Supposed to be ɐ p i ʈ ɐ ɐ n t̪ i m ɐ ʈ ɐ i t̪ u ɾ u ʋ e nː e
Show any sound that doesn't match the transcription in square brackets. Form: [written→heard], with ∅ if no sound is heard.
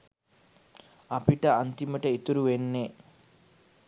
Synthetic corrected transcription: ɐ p i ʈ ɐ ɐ n t̪ i m ɐ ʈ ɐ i t̪ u ɾ u ʋ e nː e